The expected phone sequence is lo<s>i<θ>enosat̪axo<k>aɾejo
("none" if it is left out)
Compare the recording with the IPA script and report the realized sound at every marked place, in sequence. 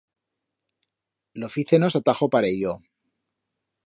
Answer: f, θ, p

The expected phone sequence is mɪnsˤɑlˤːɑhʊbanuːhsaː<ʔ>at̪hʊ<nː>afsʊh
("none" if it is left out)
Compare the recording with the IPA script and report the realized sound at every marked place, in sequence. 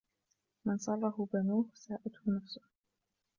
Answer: ʔ, n

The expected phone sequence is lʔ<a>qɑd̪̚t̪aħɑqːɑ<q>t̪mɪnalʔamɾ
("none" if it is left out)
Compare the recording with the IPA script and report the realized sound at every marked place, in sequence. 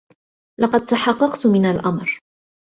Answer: ɑ, q

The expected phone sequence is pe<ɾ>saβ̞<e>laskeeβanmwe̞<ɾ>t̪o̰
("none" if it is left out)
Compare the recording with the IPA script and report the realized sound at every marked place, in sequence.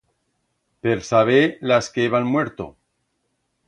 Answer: ɾ, e, ɾ

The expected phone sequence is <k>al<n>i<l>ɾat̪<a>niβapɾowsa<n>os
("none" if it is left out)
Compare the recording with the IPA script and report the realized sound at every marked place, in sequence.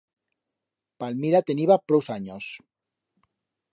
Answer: p, m, none, e, ɲ

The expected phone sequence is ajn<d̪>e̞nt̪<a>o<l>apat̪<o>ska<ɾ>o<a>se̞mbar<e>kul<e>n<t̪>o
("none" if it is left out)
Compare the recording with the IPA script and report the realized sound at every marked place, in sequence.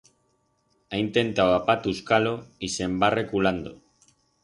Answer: t̪, a, none, u, l, i, e, a, d̪

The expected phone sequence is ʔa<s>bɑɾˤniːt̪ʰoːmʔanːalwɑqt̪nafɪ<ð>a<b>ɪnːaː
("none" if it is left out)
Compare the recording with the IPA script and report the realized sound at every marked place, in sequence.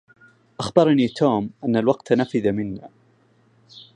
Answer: x, ð, m

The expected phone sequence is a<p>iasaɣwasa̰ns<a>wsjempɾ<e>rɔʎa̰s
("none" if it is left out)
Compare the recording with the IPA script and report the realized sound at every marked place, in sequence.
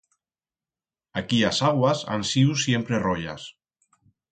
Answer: k, i, e

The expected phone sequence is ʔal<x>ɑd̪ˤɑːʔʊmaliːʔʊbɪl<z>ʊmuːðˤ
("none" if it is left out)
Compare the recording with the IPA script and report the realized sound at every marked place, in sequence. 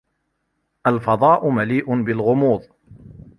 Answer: f, ɣ

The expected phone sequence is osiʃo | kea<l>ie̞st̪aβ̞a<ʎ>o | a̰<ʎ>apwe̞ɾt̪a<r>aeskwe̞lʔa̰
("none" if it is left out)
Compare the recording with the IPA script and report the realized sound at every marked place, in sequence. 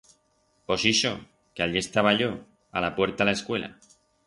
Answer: ʎ, ʎ, l, l

